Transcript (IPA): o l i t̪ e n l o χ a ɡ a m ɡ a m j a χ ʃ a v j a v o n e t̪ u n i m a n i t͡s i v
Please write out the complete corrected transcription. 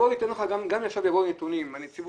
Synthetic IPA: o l i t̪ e n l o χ a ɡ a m ɡ a m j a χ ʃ a v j a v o n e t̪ u n i m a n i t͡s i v